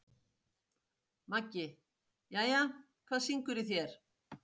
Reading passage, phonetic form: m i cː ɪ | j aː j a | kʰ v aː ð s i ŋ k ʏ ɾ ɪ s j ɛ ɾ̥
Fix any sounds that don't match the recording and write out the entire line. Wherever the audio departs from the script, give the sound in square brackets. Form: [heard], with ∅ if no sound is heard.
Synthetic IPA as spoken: m [a] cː ɪ | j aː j a | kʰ v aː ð s i ŋ k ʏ ɾ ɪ [θ] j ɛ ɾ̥